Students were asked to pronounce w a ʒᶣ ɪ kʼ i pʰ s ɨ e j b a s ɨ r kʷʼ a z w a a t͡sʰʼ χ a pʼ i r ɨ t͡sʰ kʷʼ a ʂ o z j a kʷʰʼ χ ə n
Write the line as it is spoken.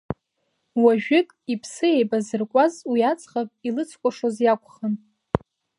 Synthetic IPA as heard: w a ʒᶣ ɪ kʼ i pʰ s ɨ e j b a z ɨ r kʷʼ a z w i a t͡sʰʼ χ a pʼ i l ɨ t͡sʰ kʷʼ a ʂ o z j a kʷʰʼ χ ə n